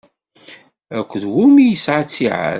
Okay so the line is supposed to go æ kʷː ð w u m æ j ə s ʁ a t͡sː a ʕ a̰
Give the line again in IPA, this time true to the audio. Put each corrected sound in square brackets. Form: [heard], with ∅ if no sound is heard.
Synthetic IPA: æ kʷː ð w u m [i] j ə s [ʕ] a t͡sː [i] ʕ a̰